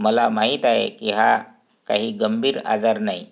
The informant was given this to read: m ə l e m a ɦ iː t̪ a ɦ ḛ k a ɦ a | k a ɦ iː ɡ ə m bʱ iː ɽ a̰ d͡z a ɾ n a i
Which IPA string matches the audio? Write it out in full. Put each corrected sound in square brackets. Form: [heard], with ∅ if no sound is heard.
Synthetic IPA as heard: m ə l [a] m a ɦ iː t̪ a ɦ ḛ k [i] ɦ a | k a ɦ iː ɡ ə m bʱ iː [ɾ] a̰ d͡z a ɾ n a i